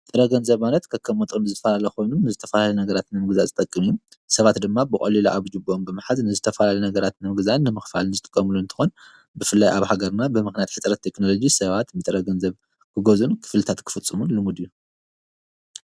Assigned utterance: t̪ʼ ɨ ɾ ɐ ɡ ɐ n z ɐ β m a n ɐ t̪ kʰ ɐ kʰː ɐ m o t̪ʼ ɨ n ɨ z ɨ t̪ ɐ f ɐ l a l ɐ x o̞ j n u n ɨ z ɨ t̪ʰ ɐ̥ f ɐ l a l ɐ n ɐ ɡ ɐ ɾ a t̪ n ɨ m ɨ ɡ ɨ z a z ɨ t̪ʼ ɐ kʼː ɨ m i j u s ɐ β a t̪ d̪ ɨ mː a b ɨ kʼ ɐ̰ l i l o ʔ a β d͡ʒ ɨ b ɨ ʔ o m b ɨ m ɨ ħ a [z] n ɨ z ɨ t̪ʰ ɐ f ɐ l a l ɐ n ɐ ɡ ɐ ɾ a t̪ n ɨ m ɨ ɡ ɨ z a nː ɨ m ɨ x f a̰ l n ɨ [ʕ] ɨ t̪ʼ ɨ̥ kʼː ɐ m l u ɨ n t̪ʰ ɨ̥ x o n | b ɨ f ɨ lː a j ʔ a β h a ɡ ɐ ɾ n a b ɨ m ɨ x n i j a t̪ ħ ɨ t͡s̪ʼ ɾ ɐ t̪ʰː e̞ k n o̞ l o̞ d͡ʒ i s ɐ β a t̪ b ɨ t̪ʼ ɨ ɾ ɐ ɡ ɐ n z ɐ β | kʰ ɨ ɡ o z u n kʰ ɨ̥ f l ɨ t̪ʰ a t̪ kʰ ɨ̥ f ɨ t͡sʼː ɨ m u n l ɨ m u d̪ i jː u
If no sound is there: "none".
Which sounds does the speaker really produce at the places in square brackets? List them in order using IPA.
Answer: z, z

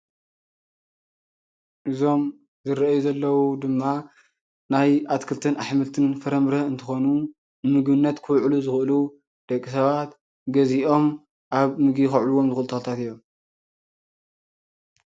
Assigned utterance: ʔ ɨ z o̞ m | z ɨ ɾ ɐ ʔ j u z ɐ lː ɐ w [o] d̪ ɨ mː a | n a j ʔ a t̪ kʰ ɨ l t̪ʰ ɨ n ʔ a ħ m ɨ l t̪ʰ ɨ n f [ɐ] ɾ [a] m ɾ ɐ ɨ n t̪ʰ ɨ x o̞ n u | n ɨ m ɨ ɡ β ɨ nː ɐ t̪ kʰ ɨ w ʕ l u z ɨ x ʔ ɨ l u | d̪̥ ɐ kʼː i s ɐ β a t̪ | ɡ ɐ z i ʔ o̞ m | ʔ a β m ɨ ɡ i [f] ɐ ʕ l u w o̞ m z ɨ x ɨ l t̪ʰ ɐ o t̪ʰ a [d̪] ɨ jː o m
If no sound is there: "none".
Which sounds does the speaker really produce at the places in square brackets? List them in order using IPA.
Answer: u, ɐ, ɐ, x, t̪

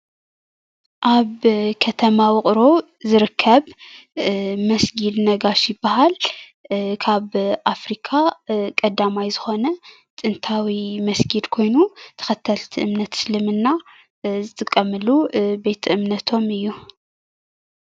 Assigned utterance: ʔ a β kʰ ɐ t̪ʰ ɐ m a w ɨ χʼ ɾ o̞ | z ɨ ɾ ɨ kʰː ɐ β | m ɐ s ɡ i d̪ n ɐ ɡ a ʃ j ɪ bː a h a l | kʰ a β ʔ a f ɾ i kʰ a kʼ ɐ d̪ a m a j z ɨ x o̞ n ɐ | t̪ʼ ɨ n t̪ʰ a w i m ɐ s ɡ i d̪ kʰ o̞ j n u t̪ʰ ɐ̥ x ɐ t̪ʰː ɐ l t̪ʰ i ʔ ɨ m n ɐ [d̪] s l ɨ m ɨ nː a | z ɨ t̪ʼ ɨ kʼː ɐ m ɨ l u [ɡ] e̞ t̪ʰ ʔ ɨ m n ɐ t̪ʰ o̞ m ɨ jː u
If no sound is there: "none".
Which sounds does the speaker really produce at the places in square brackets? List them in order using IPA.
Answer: t̪, b

